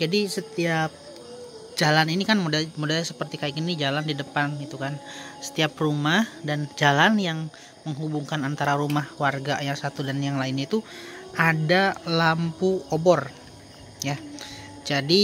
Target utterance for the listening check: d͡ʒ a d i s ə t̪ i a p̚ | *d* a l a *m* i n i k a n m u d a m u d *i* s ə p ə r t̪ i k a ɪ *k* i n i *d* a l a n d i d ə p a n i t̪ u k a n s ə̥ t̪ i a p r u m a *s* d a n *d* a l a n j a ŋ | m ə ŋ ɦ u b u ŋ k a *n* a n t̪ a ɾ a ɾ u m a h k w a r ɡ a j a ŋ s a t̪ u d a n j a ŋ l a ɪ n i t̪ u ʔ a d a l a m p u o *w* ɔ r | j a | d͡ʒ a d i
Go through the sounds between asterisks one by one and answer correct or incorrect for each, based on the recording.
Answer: incorrect: d͡ʒ, incorrect: n, incorrect: a, correct, incorrect: d͡ʒ, incorrect: h, incorrect: d͡ʒ, correct, incorrect: b

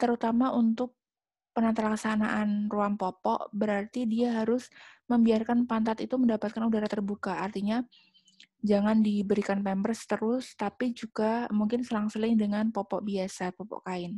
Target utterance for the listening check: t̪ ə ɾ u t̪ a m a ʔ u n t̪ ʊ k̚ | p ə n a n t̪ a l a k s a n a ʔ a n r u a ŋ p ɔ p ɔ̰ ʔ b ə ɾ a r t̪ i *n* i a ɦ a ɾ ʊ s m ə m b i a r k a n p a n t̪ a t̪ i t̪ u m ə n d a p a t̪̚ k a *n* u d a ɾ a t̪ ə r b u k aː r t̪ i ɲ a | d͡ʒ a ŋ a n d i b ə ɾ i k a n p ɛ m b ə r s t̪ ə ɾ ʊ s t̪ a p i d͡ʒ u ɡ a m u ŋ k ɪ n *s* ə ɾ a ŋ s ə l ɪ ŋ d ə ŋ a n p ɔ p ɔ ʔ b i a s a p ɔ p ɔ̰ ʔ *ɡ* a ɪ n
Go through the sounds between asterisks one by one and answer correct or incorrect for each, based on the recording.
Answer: incorrect: d, correct, correct, incorrect: k

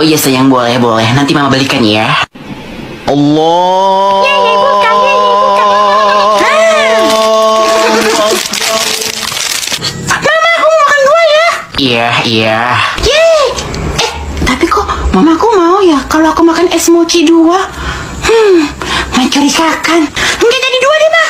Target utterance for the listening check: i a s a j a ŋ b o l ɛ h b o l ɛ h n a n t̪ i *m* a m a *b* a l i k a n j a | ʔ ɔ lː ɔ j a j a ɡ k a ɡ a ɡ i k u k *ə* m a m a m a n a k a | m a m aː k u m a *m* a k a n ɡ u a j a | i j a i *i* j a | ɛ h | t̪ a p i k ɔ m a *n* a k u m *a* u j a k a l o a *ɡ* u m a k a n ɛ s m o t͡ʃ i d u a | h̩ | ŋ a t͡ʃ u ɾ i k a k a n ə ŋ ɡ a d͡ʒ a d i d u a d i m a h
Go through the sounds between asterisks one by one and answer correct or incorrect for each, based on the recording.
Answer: correct, correct, incorrect: a, correct, incorrect: a, incorrect: m, correct, incorrect: k

